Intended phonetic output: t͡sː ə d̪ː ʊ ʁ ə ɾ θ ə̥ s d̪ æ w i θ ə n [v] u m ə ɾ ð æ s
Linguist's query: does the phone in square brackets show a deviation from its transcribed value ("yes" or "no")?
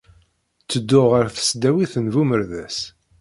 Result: no